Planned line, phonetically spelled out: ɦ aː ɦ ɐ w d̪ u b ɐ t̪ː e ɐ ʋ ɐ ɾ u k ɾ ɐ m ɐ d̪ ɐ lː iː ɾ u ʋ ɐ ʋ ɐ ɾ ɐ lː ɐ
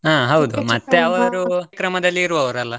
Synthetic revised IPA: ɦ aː ɦ ɐ w d̪ u m ɐ t̪ː e ɐ ʋ ɐ ɾ u k ɾ ɐ m ɐ d̪ ɐ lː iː ɾ u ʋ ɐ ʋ ɐ ɾ ɐ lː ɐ